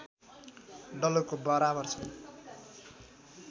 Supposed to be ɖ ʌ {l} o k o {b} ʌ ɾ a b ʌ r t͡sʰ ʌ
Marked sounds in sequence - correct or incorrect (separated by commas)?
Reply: correct, correct